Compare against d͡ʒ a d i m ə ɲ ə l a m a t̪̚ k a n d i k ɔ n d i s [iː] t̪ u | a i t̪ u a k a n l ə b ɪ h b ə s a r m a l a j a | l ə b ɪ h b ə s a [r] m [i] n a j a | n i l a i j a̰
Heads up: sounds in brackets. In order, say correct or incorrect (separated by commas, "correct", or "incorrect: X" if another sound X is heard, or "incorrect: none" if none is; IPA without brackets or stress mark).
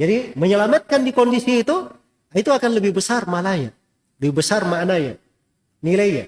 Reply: correct, correct, incorrect: a